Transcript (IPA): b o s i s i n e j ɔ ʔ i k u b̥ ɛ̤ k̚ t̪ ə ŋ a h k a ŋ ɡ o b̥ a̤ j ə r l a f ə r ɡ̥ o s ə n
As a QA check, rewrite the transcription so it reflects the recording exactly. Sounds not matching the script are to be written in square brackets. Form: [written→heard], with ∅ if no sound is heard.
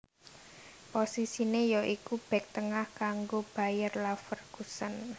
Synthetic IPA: [b→p] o s i s i n e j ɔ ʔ i k u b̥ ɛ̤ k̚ t̪ ə ŋ a h k a ŋ ɡ o b̥ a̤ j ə r l a f ə r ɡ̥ [o→u] s ə n